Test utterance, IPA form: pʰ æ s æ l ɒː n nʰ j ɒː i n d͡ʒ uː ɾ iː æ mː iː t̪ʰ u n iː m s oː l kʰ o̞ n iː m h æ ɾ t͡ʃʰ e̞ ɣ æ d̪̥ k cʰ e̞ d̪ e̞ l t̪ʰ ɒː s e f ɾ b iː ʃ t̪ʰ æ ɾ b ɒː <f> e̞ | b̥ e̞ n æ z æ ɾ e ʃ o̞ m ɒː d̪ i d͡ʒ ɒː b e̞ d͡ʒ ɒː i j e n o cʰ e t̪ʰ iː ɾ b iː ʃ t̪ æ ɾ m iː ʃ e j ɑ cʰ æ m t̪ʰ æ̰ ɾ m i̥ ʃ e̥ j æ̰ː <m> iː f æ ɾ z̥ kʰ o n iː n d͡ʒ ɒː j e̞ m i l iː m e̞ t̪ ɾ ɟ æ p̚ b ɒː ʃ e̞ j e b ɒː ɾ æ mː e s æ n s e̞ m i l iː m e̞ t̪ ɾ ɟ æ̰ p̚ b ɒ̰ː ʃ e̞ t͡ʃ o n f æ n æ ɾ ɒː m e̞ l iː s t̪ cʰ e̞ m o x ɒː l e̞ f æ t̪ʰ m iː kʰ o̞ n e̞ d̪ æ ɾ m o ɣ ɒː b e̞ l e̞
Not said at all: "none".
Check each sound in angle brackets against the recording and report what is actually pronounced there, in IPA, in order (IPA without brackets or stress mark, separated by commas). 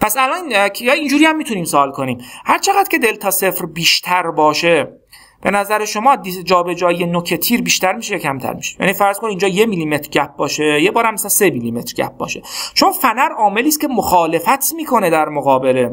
ʃ, n